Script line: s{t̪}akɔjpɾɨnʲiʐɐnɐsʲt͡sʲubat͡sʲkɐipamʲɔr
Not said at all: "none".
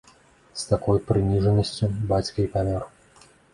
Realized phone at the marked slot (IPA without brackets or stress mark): t̪